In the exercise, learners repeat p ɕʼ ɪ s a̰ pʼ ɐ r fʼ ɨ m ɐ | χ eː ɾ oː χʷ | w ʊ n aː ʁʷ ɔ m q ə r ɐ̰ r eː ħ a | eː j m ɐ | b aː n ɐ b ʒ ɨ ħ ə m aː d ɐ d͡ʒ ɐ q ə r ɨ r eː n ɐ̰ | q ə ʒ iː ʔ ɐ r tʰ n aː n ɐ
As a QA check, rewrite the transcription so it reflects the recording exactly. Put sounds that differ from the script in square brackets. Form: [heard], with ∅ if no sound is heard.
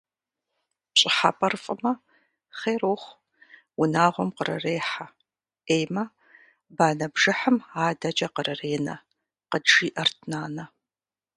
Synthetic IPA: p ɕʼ ɪ [ħ] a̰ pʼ ɐ r fʼ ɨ m ɐ | χ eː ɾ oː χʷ | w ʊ n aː ʁʷ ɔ m q ə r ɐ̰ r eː ħ a | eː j m ɐ | b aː n ɐ b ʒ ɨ ħ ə m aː d ɐ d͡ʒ ɐ q ə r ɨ r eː n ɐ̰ | q ə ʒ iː ʔ ɐ r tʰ n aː n ɐ

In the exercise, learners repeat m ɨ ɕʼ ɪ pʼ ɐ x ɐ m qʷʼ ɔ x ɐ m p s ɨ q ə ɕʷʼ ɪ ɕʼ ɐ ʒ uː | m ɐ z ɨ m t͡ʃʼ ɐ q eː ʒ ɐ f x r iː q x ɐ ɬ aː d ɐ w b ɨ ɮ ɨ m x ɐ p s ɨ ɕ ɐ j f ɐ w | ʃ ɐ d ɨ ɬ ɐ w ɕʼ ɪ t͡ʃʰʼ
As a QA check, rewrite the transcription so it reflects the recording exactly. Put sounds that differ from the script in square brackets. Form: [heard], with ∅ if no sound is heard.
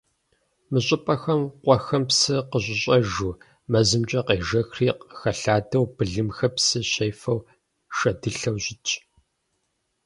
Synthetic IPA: m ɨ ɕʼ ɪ pʼ ɐ x ɐ m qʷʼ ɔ x ɐ m p s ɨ q ə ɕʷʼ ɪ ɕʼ ɐ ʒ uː | m ɐ z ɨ m t͡ʃʼ ɐ q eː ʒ ɐ [∅] x r iː q x ɐ ɬ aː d ɐ w b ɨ ɮ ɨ m x ɐ p s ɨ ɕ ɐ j f ɐ w | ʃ ɐ d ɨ ɬ ɐ w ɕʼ ɪ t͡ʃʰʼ

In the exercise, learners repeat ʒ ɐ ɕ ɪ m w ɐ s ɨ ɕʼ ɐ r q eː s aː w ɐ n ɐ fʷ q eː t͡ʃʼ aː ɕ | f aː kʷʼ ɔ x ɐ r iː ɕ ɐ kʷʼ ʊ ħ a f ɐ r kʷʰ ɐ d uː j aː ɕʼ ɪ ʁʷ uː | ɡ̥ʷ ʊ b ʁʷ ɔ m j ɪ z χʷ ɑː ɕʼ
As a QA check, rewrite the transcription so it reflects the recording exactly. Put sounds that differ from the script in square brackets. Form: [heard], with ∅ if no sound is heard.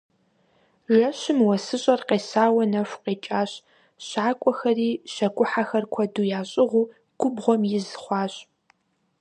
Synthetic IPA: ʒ ɐ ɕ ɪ m w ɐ s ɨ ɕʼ ɐ r q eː s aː w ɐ n ɐ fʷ q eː t͡ʃʼ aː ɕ | [ɕ] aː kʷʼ ɔ x ɐ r iː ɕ ɐ kʷʼ ʊ ħ a [x] ɐ r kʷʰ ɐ d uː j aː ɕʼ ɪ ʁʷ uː | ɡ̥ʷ ʊ b ʁʷ ɔ m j ɪ z χʷ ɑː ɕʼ

